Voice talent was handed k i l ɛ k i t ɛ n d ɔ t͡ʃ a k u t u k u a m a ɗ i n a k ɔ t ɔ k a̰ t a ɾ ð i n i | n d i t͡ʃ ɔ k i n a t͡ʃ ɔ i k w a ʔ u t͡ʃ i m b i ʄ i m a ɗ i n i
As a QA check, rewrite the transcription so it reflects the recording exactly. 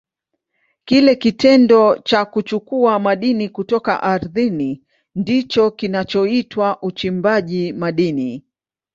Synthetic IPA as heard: k i l ɛ k i t ɛ n d ɔ t͡ʃ a k u t͡ʃ u k u a m a ɗ i n i k u t ɔ k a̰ ʔ a ɾ ð i n i | n d i t͡ʃ ɔ k i n a t͡ʃ ɔ i t w a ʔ u t͡ʃ i m b a ʄ i m a ɗ i n i